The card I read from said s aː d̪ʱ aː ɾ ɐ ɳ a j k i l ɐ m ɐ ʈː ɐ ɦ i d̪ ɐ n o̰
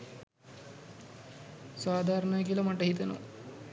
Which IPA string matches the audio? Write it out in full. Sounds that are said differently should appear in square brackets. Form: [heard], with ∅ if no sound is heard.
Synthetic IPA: s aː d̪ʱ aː ɾ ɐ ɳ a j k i l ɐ m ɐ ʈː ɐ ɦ i [t̪] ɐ n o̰

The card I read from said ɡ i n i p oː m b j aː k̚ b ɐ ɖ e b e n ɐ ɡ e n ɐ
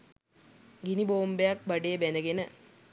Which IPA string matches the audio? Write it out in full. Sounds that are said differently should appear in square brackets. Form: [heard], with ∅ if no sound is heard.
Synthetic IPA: ɡ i n i [b] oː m b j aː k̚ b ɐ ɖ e b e n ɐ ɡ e n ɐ

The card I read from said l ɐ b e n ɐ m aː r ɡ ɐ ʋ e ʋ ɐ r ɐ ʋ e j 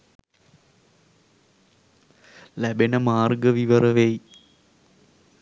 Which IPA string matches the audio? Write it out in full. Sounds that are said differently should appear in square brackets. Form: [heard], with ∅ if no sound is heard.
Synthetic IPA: l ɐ b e n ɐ m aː r ɡ ɐ ʋ [i] ʋ ɐ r ɐ ʋ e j

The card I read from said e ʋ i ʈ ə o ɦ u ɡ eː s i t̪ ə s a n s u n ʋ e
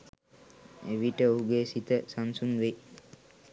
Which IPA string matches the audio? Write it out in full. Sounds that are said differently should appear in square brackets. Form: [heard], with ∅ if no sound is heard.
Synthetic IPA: e ʋ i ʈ ə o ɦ u ɡ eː s i t̪ ə s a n s u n ʋ e

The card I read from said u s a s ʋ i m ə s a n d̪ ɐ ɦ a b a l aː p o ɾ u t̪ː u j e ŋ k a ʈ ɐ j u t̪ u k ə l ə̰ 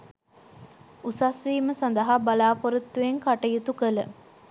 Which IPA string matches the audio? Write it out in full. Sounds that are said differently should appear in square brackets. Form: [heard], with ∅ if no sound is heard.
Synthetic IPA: u s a s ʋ [iː] m ə s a n d̪ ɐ ɦ a b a l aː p o ɾ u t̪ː u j e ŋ k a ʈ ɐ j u t̪ u k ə l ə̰

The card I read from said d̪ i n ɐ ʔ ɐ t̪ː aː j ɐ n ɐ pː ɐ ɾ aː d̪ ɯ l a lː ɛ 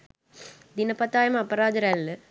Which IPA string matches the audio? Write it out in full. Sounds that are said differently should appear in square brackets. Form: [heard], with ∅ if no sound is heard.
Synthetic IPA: d̪ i n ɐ [p] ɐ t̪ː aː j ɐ [m] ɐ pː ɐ ɾ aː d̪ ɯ [ɾ] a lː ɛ

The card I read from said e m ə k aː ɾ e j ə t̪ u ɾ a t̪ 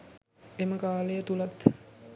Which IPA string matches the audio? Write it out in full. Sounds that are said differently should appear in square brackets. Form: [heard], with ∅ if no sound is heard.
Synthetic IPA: e m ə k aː [l] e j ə t̪ u [l] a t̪

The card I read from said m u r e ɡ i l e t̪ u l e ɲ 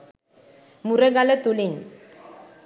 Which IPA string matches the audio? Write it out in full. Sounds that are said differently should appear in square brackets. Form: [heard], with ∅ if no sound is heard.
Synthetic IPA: m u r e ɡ [a] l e t̪ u l [i] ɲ

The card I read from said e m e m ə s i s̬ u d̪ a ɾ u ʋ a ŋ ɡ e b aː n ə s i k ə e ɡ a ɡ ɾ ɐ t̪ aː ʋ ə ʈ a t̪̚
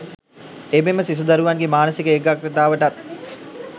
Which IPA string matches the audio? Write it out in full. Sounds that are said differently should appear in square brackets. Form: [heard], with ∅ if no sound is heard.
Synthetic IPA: e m e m ə s i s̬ u d̪ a ɾ u ʋ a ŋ ɡ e [m] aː n ə s i k ə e ɡ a [k] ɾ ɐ t̪ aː ʋ ə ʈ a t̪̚

